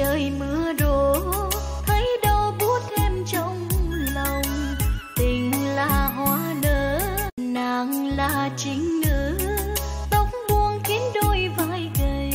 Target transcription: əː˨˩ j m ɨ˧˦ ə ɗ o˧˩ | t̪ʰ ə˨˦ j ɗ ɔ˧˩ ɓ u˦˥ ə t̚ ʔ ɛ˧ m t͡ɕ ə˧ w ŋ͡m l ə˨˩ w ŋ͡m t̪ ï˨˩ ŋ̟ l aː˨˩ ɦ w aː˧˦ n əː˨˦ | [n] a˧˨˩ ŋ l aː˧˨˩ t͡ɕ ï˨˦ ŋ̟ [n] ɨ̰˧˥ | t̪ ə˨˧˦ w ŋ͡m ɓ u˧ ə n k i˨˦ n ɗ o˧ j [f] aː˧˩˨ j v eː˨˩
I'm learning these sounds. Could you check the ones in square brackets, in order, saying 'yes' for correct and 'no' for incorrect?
yes, yes, no

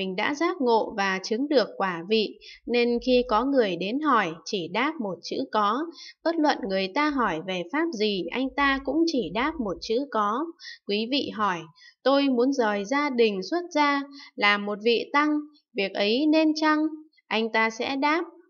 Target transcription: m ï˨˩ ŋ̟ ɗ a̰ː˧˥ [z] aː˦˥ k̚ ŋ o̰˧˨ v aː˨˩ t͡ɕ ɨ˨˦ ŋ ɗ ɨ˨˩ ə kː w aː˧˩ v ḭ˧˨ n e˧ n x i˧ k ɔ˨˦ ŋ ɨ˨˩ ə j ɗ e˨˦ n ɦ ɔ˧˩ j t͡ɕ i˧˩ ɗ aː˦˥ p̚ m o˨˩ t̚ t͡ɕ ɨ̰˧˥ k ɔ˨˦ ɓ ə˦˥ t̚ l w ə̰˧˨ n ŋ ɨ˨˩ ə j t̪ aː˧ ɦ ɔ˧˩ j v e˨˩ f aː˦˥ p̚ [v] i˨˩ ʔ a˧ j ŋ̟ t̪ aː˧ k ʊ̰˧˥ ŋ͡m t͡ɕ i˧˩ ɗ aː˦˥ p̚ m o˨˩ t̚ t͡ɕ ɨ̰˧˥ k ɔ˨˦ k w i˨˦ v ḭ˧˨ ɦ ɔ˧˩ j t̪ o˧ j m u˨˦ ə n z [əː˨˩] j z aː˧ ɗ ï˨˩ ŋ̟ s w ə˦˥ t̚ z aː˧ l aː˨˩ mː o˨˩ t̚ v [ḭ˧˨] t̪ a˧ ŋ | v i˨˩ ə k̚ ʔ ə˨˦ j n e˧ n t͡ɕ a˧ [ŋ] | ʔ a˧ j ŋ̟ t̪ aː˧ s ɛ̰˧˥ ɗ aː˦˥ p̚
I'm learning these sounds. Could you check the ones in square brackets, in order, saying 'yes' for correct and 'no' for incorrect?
yes, no, yes, yes, yes

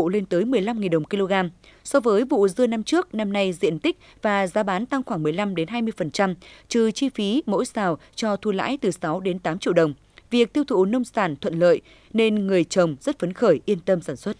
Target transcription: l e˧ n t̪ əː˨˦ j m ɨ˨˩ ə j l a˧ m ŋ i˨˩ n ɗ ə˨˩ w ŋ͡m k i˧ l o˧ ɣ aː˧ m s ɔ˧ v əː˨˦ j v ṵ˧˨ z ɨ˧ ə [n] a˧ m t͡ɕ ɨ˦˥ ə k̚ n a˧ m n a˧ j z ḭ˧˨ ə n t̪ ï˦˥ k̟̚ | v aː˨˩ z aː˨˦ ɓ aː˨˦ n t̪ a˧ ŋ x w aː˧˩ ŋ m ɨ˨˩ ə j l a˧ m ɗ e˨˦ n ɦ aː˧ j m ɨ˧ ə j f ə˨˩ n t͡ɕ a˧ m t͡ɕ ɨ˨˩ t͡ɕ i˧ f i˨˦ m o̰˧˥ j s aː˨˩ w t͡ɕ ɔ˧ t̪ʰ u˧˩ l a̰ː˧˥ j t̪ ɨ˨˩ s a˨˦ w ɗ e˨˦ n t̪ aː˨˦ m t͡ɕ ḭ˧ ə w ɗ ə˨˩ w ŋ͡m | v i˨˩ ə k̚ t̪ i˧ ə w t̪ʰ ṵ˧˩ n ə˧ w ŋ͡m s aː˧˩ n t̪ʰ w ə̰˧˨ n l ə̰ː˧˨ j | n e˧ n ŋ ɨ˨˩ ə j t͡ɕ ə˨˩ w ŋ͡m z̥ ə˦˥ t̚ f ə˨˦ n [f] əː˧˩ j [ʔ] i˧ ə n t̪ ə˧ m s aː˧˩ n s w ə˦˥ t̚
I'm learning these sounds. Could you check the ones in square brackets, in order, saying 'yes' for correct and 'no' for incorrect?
yes, no, yes

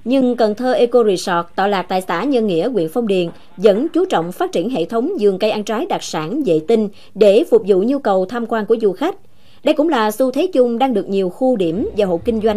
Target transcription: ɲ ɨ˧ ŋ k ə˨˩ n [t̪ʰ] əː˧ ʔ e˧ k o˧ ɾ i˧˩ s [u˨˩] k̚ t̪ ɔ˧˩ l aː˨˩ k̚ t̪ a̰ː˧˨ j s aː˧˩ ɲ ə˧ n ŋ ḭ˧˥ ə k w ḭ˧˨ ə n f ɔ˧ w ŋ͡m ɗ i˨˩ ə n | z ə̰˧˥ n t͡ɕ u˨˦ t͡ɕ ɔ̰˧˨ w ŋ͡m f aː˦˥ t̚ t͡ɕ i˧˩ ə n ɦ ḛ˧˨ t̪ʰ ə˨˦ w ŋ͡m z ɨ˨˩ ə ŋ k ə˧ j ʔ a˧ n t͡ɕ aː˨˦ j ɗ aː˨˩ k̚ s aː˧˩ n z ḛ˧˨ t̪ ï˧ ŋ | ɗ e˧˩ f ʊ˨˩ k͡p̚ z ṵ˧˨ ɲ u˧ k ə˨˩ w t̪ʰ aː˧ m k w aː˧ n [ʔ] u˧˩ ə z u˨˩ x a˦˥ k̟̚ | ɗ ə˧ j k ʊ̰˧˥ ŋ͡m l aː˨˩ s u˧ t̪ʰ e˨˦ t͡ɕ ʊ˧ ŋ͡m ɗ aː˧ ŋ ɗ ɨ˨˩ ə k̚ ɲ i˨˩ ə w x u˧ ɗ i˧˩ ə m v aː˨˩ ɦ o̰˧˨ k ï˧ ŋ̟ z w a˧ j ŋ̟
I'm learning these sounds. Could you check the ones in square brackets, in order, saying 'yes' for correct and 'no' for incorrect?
yes, no, no

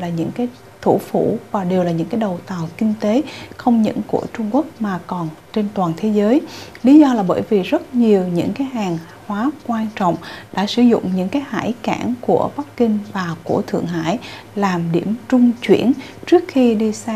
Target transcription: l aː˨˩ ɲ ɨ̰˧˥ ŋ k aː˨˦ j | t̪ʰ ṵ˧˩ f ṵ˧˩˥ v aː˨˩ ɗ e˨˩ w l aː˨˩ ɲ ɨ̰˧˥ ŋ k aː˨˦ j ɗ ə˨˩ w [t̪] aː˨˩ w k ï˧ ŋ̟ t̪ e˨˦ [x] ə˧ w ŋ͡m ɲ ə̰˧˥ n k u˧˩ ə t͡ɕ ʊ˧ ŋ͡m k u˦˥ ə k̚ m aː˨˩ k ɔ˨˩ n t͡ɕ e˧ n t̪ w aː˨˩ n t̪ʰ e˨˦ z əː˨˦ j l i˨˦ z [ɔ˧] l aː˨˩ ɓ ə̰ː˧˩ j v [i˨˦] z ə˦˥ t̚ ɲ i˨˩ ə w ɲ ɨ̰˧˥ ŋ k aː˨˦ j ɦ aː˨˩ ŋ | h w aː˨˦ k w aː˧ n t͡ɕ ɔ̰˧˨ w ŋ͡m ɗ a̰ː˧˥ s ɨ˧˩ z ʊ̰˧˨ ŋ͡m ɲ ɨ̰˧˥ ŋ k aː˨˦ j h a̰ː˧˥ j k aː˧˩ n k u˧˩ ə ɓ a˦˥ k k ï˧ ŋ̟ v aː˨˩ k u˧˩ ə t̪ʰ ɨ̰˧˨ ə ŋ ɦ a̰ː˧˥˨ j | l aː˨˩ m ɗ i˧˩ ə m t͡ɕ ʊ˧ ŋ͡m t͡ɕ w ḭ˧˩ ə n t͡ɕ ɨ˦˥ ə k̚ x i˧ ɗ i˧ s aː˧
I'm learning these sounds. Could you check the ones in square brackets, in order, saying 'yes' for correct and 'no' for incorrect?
yes, yes, yes, no

